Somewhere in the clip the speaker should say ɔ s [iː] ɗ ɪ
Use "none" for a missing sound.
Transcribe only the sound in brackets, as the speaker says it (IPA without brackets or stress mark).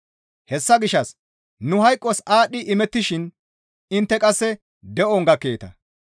aː